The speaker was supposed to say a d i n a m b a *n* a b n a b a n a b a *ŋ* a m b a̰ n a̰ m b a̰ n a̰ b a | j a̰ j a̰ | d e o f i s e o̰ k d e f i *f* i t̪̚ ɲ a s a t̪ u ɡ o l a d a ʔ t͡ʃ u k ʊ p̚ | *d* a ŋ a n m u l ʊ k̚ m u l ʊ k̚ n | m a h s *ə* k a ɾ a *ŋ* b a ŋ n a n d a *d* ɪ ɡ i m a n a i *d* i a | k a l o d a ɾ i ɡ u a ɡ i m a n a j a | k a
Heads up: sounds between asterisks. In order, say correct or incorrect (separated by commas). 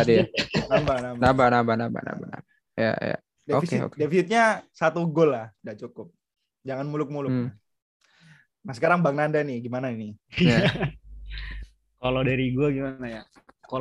correct, incorrect, incorrect, incorrect, correct, correct, incorrect, incorrect